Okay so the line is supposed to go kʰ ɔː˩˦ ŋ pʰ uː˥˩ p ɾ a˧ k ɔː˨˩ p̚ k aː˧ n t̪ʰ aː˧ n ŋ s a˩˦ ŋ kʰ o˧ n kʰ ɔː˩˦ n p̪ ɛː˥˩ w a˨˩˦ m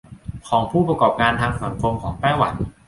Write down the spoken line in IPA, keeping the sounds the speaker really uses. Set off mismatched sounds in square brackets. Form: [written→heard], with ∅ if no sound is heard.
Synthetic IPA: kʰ ɔː˩˦ ŋ pʰ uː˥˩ p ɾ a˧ k ɔː˨˩ p̚ k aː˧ n t̪ʰ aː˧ [n→∅] ŋ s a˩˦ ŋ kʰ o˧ [n→m] kʰ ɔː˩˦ [n→ŋ] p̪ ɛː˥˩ w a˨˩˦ [m→n]